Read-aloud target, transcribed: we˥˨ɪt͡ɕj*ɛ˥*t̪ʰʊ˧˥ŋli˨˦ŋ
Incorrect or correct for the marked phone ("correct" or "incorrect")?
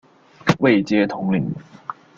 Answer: correct